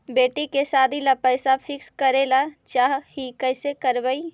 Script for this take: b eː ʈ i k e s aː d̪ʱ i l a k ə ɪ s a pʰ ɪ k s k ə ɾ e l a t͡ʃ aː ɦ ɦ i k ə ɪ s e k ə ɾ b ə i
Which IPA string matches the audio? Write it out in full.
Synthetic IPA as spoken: b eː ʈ i k e s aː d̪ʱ i l a p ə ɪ s a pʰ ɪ k s k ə ɾ e l a t͡ʃ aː ɦ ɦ i k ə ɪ s e k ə ɾ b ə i